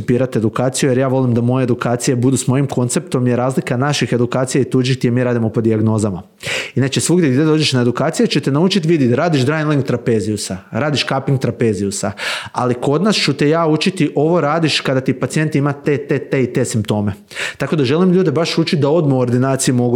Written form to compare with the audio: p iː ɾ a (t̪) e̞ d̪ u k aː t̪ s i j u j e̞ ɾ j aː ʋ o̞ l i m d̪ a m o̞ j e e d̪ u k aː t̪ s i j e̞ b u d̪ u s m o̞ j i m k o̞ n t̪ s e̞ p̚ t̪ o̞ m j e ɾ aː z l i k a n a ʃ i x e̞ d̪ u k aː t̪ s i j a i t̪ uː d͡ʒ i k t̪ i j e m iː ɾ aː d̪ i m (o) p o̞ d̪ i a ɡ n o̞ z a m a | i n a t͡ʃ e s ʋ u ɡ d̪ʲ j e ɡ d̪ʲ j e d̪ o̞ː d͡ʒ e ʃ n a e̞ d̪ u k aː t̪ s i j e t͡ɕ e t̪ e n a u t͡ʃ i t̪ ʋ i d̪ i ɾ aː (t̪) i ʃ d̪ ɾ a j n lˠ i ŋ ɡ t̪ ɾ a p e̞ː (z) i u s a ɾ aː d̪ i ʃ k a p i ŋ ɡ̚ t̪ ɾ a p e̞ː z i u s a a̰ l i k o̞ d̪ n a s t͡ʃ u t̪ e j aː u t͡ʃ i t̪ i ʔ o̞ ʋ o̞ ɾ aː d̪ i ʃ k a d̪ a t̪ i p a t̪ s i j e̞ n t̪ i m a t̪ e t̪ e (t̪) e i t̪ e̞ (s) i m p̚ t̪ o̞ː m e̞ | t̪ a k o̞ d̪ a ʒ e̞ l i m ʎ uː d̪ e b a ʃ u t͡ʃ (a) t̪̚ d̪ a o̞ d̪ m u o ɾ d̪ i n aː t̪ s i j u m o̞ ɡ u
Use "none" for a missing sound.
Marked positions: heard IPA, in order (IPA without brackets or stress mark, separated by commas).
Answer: t̪, o, d̪, z, t̪, s, i